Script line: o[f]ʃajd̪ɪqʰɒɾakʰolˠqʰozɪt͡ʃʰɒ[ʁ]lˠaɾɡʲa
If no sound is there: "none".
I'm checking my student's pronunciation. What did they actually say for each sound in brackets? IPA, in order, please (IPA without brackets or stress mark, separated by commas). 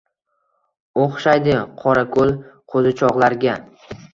χ, ʁ